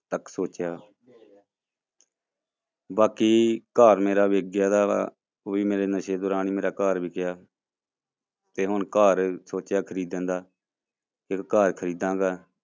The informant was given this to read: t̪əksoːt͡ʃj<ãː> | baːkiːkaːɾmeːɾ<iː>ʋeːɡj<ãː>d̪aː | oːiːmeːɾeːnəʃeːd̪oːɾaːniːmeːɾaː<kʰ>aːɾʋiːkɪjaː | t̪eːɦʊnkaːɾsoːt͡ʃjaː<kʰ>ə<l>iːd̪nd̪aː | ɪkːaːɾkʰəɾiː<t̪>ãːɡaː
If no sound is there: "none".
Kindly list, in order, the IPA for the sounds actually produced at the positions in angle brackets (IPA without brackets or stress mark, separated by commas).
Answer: aː, aː, aː, k, kʰ, ɾ, d̪